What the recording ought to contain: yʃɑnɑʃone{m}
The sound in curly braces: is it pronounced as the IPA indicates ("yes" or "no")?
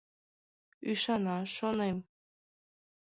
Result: yes